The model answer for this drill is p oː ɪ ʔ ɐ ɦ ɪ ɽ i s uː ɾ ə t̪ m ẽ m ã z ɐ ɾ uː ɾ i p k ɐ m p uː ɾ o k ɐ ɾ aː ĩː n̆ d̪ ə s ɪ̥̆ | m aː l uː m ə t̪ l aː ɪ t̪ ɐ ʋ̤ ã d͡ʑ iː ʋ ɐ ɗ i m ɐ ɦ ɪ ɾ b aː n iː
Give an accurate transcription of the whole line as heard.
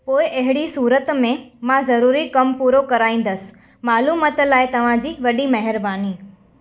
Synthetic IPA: p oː ɪ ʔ ɐ ɦ ɪ ɽ i s uː ɾ ə t̪ m ẽ m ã z ɐ ɾ uː ɾ i k ɐ m p uː ɾ o k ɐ ɾ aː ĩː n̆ d̪ ə s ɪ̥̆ | m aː l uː m ə t̪ l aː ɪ t̪ ɐ ʋ̤ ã d͡ʑ iː ʋ ɐ ɗ i m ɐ ɦ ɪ ɾ b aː n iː